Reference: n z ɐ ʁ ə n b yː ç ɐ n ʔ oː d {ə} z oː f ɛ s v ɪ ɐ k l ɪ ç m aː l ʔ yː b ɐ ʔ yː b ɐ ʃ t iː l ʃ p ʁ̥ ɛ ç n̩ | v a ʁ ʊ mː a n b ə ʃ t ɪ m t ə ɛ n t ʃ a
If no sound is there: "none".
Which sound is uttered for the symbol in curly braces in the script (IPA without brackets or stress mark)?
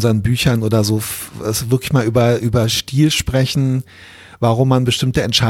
ɐ